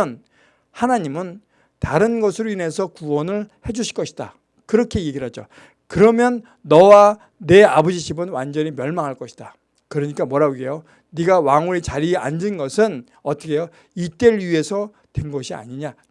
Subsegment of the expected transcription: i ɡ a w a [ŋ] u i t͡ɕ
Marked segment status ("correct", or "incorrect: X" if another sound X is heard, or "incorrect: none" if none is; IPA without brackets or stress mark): correct